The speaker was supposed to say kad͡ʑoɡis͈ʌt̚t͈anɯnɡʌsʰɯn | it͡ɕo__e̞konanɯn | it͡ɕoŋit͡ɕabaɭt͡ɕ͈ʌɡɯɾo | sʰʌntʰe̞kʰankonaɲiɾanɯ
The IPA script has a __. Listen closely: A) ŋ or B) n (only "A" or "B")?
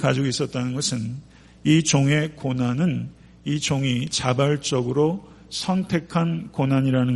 A